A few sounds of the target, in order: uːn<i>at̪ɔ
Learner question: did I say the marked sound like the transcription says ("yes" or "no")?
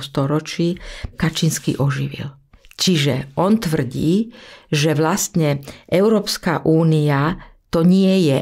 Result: yes